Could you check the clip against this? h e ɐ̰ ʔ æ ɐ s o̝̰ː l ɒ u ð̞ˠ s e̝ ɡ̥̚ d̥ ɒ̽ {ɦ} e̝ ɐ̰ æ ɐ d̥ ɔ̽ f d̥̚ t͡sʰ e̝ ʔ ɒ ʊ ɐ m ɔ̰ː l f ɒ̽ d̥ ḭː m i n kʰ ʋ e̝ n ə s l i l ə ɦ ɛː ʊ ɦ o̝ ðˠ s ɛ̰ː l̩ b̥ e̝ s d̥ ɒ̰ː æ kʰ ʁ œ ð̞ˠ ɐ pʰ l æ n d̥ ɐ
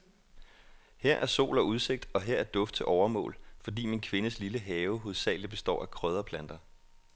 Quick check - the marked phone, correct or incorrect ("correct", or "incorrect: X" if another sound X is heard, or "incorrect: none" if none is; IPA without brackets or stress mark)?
correct